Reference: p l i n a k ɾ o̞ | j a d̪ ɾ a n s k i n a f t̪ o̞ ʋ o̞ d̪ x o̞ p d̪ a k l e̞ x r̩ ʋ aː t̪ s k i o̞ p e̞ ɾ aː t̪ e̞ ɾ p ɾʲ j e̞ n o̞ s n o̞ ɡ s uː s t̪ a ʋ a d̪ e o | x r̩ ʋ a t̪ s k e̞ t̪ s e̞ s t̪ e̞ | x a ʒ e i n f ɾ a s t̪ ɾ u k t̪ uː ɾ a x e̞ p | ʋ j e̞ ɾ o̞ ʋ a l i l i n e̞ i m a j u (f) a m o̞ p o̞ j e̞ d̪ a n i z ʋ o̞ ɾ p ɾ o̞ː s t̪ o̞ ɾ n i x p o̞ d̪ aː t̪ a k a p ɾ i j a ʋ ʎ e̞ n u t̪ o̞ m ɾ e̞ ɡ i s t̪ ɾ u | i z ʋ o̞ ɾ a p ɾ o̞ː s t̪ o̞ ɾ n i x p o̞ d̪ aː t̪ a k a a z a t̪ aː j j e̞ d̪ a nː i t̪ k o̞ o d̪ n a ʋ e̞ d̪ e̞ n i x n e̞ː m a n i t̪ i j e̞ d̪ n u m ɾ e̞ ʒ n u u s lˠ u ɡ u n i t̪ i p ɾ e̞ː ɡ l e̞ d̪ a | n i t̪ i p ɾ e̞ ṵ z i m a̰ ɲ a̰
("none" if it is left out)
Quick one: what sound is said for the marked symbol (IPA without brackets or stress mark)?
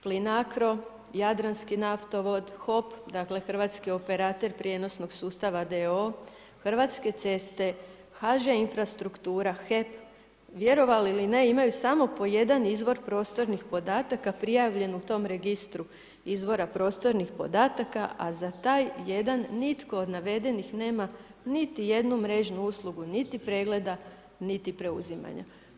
s